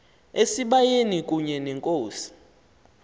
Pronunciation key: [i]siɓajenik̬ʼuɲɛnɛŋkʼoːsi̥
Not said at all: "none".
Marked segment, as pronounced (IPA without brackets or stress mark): e